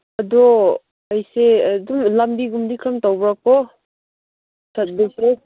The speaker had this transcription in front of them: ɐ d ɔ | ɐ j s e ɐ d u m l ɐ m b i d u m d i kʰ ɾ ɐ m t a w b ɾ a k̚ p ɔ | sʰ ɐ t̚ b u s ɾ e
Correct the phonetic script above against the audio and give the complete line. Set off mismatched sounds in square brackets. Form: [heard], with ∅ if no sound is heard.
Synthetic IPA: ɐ d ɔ | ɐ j s e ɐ d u m l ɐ m b i [ɡ] u m d i kʰ ɾ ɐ m t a w b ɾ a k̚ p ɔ | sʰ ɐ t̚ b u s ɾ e